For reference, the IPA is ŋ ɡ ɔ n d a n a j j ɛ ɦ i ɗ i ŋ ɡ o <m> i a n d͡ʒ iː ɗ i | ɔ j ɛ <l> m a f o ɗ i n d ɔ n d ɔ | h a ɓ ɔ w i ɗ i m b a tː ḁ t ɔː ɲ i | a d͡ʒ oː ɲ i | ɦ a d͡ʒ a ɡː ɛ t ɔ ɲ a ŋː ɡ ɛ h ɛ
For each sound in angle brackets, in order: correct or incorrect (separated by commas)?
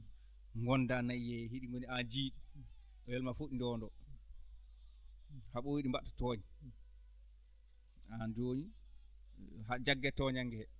incorrect, correct